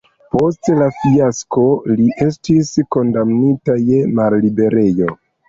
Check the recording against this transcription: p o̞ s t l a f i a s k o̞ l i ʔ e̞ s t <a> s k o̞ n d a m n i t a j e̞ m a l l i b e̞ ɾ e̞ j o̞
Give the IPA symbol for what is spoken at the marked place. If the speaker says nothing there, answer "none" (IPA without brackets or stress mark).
i